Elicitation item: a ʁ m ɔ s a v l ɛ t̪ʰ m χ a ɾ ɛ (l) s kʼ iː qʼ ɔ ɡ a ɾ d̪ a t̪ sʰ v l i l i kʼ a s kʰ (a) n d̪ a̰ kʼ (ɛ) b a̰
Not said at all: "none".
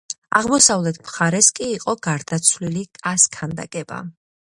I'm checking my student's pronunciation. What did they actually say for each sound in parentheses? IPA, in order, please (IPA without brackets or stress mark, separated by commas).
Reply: none, a, ɛ